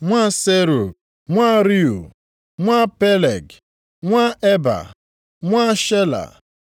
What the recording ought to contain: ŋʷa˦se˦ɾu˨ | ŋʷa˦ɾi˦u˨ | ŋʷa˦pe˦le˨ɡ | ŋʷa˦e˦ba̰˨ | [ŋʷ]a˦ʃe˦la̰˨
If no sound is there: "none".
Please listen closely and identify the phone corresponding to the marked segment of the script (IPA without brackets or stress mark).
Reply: ŋʷ